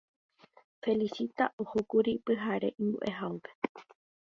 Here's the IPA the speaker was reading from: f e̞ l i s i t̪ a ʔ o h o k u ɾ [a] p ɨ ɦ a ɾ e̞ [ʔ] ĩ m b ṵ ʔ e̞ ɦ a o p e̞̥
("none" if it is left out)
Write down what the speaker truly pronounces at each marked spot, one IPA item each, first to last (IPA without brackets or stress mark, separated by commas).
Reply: i, ʔ